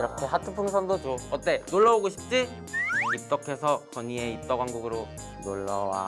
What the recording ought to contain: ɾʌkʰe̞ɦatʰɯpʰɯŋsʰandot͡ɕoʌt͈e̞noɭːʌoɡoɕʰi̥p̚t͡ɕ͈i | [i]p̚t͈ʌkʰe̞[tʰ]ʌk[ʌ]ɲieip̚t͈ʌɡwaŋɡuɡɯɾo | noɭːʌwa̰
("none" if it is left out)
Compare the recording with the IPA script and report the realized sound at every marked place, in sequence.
i, sʰ, ʌ

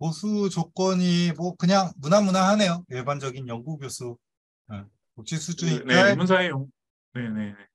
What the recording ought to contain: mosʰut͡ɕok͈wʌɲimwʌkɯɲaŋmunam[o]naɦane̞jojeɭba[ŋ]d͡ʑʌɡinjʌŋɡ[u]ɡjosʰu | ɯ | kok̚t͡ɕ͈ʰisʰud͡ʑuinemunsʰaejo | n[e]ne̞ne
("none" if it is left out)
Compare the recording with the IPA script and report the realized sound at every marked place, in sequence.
u, n, u, e

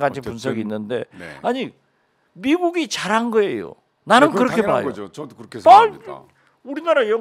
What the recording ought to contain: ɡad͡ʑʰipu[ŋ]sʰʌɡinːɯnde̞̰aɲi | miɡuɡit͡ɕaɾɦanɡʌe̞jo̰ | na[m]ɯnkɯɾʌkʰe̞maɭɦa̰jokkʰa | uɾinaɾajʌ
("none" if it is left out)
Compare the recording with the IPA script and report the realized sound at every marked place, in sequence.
n, n

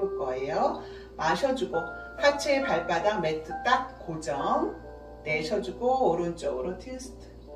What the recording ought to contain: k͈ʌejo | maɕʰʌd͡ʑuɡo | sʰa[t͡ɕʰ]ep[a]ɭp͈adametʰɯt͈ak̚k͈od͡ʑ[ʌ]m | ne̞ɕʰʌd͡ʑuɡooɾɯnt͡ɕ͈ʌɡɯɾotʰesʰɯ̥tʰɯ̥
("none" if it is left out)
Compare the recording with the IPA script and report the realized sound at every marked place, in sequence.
t͡ɕʰ, a, ʌ

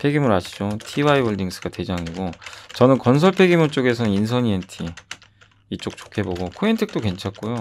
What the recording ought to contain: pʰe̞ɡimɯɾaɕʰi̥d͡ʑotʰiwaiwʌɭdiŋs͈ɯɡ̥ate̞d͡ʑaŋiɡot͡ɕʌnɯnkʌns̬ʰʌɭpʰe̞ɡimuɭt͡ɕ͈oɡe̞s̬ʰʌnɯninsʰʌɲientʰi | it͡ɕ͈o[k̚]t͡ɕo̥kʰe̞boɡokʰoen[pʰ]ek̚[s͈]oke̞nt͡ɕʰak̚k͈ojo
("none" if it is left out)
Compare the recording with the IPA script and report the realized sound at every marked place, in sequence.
k̚, tʰ, t͈

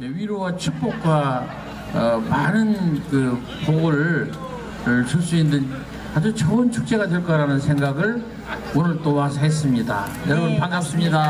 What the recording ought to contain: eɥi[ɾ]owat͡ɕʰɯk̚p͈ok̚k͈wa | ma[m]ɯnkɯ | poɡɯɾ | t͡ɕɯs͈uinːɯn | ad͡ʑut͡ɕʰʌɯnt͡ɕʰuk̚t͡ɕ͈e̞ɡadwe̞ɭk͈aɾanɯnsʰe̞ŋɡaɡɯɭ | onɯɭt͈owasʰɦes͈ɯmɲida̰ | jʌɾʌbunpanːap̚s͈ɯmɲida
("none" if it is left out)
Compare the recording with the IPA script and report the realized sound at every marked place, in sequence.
ɾ, n

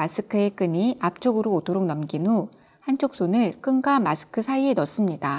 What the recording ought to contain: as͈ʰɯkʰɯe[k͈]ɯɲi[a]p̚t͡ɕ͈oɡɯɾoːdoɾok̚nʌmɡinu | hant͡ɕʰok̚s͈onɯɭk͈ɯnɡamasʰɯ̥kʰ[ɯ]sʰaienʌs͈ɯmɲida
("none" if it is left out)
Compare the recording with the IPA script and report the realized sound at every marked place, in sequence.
k͈, a, ɯ

